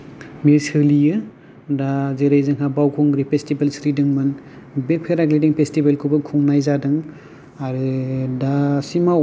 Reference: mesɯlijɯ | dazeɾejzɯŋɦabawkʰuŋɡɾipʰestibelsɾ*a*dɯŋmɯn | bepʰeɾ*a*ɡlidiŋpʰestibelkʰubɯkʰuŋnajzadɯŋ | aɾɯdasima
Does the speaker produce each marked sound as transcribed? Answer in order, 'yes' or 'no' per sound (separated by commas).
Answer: no, yes